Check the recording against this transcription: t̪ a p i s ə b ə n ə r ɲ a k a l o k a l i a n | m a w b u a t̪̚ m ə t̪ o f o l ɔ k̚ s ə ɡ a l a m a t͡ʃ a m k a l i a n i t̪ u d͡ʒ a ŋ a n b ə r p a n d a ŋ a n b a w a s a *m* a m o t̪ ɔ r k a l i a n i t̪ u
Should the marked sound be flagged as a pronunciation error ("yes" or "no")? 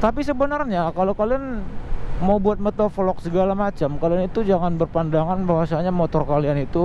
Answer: yes